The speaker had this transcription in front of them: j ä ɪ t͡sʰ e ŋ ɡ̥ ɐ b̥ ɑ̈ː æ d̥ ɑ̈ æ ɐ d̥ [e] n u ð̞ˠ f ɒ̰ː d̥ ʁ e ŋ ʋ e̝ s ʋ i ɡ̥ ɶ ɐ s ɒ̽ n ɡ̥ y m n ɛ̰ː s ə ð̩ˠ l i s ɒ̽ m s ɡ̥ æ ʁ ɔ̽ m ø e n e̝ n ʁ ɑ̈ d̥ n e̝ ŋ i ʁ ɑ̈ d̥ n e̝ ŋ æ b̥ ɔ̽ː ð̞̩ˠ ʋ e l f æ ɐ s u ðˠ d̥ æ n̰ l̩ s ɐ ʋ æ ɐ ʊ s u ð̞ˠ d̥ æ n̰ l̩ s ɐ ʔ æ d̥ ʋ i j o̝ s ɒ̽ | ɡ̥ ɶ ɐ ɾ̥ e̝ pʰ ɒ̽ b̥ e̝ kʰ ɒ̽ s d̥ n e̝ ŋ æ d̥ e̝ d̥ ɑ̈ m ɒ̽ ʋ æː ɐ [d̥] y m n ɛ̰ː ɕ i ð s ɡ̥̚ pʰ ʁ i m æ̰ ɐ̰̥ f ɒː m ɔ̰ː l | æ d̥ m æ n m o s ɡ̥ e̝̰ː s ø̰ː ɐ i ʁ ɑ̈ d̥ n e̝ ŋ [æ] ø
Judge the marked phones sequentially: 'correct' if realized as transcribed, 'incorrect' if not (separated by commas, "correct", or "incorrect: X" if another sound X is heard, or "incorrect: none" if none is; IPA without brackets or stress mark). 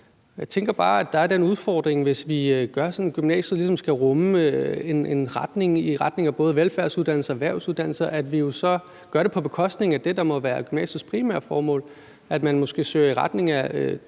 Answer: correct, incorrect: ɡ̥, correct